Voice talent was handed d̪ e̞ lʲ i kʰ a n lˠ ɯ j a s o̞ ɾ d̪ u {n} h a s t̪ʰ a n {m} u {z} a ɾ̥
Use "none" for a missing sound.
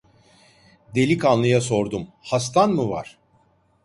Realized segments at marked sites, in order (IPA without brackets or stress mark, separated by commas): m, m, v